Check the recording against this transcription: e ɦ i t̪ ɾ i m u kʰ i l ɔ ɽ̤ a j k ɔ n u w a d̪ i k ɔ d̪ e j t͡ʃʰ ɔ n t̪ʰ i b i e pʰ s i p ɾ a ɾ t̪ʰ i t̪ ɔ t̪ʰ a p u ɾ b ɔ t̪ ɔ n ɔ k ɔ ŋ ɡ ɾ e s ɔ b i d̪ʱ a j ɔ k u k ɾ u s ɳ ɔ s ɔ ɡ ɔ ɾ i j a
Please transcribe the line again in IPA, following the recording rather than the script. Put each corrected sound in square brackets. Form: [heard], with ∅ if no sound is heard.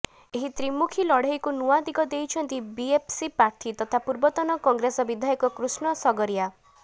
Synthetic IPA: e ɦ i t̪ ɾ i m u kʰ i l ɔ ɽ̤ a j k [u] n u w a d̪ i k ɔ d̪ e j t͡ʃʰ ɔ n [t̪] i b i e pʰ s i p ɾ a ɾ t̪ʰ i t̪ ɔ t̪ʰ a p u ɾ b ɔ t̪ ɔ n ɔ k ɔ ŋ ɡ ɾ e s ɔ b i d̪ʱ a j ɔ k [ɔ] k ɾ u s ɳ ɔ s ɔ ɡ ɔ ɾ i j a